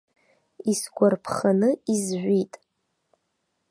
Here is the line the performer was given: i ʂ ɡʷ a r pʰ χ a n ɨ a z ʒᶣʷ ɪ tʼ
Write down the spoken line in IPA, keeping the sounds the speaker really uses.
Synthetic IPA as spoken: i s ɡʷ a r pʰ χ a n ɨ i z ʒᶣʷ i tʼ